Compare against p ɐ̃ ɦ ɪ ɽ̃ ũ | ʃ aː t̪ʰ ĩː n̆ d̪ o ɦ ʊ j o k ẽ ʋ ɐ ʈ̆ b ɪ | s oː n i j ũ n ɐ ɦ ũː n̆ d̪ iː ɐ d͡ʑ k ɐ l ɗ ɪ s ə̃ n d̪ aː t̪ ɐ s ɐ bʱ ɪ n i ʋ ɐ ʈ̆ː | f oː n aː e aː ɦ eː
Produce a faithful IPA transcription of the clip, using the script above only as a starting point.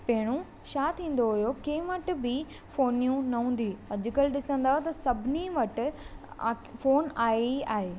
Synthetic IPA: p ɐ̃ ɦ ɪ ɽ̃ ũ | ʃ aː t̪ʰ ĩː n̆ d̪ o ɦ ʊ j o k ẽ ʋ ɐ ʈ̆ b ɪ | f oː n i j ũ n ɐ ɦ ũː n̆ d̪ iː ɐ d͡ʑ k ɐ l ɗ ɪ s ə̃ n d̪ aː t̪ ɐ s ɐ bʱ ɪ n i ʋ ɐ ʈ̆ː | f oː n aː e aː ɦ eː